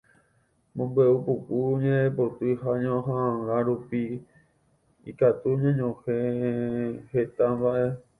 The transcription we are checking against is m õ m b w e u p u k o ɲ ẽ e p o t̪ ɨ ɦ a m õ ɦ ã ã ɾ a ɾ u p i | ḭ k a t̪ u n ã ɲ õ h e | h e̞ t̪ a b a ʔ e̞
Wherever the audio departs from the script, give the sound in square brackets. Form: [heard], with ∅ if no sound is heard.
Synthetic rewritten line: m õ m b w e u p u k [u] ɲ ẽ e p o t̪ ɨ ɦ a [ɲ] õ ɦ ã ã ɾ a ɾ u p i | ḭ k a t̪ u [ɲ] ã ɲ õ h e | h e̞ t̪ a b a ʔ e̞